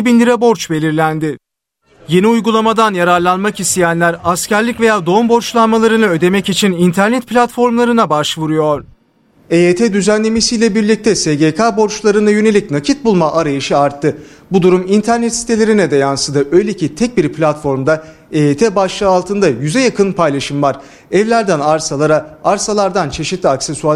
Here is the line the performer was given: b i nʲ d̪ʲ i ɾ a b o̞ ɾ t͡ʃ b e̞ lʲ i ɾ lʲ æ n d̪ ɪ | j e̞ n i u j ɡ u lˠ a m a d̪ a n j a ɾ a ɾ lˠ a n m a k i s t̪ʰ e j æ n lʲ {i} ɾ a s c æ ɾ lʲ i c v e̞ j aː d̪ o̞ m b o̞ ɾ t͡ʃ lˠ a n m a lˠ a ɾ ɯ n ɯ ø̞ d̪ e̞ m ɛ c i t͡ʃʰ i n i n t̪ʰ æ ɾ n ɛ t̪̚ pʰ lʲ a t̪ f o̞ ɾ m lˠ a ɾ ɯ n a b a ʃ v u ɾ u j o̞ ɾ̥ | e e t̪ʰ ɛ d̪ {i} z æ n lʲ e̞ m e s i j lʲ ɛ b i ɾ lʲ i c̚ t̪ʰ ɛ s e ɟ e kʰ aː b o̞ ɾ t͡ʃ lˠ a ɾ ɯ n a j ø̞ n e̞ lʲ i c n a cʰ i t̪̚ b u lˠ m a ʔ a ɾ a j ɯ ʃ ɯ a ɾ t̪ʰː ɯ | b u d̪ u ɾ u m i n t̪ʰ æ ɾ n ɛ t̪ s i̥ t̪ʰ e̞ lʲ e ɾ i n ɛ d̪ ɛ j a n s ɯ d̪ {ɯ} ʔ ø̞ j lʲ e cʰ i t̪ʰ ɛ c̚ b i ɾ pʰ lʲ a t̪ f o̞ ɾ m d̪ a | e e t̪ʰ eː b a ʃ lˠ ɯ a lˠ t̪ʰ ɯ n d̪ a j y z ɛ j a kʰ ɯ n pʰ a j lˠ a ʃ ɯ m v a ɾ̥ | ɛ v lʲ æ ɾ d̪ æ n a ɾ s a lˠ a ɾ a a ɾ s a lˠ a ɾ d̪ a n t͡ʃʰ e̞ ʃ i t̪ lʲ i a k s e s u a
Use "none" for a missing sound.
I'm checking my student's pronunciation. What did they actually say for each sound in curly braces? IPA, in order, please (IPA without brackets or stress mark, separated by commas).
æ, y, ɯ